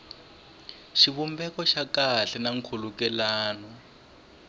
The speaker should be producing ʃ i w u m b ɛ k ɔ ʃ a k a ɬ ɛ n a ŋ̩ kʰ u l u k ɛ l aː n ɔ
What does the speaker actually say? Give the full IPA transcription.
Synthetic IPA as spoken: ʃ i β u m b ɛ k ɔ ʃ a k a ɬ ɛ n a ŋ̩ kʰ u l u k ɛ l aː n ɔ